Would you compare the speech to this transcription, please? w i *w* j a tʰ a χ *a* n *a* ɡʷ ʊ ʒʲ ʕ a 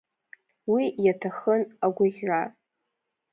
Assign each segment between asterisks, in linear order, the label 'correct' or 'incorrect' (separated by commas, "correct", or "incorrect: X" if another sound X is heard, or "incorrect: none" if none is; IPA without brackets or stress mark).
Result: incorrect: none, incorrect: ə, correct